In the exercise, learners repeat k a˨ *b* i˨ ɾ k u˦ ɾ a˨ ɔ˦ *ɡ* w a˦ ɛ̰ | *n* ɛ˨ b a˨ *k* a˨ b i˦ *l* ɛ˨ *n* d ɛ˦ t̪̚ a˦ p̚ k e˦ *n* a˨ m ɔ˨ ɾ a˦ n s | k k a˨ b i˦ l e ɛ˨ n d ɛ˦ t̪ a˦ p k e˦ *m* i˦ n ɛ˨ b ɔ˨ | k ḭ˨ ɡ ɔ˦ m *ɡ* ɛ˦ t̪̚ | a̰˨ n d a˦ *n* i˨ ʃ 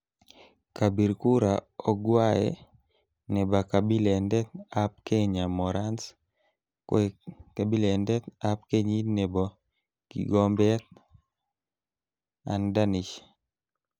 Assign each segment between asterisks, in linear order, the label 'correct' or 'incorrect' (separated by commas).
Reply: correct, correct, correct, correct, correct, correct, incorrect, incorrect, incorrect, correct